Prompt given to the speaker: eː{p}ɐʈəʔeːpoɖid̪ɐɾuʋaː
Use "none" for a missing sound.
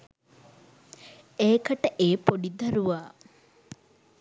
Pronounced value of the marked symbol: k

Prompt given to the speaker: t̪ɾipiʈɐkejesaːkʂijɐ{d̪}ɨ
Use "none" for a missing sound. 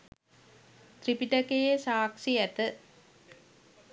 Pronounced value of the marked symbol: t̪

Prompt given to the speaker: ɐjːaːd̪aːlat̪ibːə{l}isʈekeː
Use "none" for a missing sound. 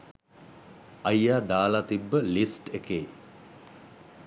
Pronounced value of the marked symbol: l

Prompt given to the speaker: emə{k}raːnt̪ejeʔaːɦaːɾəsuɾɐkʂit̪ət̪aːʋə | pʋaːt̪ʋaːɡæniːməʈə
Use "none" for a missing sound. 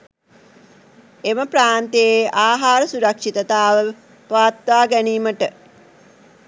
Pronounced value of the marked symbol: p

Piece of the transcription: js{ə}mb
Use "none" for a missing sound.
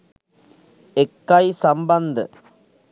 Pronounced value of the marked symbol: ɐ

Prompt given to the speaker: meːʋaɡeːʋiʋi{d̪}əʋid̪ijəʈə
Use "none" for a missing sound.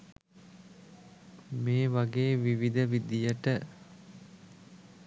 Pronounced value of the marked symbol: d̪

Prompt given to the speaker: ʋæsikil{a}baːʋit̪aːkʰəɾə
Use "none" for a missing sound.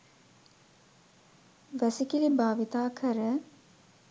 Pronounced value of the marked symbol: i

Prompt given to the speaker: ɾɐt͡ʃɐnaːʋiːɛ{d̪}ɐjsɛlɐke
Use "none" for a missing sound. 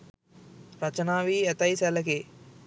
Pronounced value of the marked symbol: t̪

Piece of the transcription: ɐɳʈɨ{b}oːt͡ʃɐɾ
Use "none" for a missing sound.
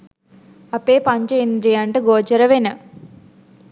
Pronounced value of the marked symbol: ɡ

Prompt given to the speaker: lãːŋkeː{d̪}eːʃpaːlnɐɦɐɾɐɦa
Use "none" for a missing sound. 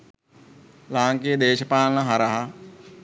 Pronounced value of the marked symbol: d̪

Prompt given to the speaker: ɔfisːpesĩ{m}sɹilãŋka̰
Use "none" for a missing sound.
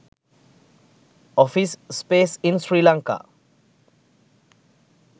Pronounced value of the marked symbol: n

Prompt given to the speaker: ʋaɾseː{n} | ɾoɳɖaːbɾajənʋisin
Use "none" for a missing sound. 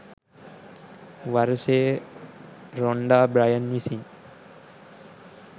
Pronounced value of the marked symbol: none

